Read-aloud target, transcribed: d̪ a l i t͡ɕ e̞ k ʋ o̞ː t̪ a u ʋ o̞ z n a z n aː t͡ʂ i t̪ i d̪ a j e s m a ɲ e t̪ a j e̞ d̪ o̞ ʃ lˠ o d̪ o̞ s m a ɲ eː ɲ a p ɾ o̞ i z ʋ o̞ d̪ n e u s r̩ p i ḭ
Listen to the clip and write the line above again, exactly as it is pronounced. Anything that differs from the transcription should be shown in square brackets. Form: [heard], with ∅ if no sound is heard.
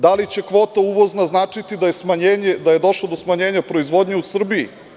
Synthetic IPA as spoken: d̪ a l i t͡ɕ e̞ k ʋ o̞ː t̪ a u ʋ o̞ z n a z n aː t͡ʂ i t̪ i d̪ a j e s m a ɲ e [d̪] a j e̞ d̪ o̞ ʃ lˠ o d̪ o̞ s m a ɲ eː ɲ a p ɾ o̞ i z ʋ o̞ d̪ [ɲ] e u s r̩ [b] i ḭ